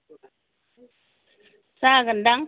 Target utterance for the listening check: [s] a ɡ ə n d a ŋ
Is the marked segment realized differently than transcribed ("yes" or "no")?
no